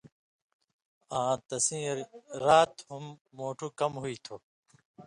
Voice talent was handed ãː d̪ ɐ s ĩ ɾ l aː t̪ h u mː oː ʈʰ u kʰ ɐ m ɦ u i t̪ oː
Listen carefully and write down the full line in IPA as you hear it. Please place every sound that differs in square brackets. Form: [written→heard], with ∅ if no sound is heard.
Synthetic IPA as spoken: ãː [d̪→t̪] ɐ s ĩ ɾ [l→ɾ] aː t̪ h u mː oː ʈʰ u [kʰ→k] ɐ m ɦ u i [t̪→t̪ʰ] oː